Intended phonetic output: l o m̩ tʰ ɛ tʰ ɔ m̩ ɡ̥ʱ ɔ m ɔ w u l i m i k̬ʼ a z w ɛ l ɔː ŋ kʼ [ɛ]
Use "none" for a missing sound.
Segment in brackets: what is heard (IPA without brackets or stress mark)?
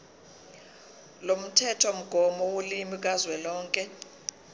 ɛ